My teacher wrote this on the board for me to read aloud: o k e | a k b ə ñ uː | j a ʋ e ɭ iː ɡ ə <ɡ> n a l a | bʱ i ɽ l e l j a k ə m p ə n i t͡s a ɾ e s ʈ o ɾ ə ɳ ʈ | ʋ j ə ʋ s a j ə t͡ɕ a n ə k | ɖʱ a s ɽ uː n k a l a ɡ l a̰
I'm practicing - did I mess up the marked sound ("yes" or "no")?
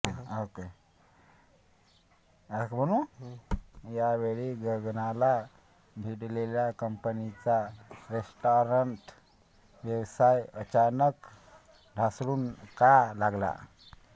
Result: no